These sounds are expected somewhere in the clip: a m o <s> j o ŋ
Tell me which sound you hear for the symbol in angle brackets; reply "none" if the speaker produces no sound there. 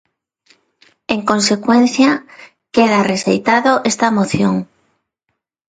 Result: θ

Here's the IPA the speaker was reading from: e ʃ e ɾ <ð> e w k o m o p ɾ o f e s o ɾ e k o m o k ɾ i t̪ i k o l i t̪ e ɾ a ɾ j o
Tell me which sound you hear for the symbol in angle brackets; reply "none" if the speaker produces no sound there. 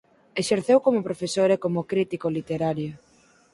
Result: θ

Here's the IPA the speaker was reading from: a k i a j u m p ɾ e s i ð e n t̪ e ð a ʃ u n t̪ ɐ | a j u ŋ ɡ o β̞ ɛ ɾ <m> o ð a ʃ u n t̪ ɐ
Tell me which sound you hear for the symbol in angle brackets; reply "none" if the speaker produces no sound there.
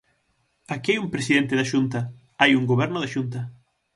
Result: n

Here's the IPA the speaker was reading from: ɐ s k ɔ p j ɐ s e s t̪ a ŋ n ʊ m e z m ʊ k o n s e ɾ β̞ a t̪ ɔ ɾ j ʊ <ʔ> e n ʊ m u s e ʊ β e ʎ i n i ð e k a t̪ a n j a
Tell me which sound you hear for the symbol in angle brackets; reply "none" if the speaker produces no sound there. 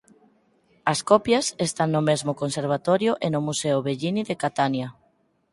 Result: ʔ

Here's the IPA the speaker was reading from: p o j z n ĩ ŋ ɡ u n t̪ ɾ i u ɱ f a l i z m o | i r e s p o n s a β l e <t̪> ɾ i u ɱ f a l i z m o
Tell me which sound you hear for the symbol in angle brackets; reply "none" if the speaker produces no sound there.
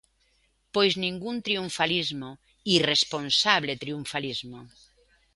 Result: t̪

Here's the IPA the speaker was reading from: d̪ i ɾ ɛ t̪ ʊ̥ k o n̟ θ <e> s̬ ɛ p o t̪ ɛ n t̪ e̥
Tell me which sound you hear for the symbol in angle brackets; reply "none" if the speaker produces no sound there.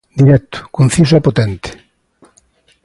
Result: i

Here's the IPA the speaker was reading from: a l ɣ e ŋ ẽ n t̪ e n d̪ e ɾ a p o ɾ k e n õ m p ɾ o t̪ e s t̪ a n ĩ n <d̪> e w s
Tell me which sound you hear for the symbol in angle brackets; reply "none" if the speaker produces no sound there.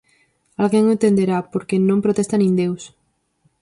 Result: d̪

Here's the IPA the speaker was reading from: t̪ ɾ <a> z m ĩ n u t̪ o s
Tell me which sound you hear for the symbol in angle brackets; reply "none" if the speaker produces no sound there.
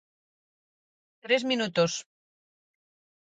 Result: e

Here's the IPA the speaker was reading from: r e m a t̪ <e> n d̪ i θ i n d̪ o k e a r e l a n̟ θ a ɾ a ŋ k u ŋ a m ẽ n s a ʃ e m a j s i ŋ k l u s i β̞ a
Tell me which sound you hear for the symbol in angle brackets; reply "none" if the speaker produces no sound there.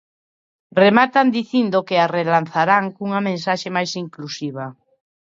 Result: a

